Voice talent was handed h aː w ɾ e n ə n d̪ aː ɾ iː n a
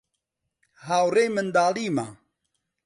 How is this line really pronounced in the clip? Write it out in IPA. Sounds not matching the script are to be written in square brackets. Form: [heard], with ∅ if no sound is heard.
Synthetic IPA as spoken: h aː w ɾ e [m] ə n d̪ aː [l] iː [m] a